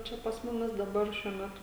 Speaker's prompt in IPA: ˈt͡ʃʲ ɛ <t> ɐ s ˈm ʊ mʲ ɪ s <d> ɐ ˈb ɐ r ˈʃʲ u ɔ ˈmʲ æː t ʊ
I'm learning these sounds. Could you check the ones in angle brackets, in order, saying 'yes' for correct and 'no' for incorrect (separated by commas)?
no, yes